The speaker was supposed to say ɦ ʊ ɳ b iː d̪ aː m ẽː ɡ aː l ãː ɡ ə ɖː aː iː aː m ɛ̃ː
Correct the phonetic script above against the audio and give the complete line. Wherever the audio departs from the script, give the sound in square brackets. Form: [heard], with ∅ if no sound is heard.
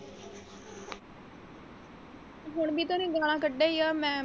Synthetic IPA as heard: ɦ ʊ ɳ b iː [t̪] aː [n] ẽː ɡ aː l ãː [k] ə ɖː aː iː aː m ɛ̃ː